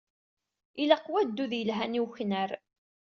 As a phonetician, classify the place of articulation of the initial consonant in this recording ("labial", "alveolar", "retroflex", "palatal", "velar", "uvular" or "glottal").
alveolar